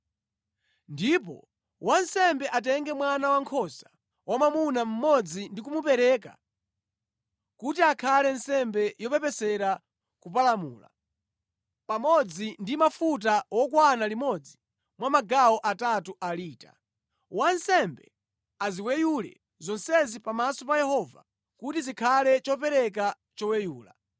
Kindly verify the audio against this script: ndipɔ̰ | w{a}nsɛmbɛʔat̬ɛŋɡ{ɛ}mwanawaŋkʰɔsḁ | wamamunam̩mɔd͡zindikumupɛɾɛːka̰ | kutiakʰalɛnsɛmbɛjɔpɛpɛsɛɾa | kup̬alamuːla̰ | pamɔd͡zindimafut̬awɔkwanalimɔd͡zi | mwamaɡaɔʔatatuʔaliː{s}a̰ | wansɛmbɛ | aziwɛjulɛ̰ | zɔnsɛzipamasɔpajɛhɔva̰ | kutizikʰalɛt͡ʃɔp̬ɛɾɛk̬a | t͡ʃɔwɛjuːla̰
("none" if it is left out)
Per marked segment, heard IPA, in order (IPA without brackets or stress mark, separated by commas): a, ɛ, t